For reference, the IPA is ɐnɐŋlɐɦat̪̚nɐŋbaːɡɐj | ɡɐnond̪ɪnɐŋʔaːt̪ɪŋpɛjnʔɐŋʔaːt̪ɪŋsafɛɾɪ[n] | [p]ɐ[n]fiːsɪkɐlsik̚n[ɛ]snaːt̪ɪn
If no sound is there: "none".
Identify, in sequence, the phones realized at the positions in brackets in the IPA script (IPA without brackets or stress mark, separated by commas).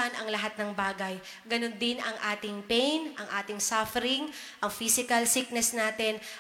ŋ, ʔ, ŋ, ɛ